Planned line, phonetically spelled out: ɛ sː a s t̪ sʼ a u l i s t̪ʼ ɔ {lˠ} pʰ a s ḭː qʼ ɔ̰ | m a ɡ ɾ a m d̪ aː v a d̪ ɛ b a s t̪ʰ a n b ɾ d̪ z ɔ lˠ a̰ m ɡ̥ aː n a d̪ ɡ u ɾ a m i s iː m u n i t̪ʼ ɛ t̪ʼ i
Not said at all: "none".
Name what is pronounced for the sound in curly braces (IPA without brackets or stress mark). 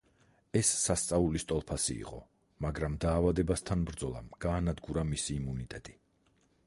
lˠ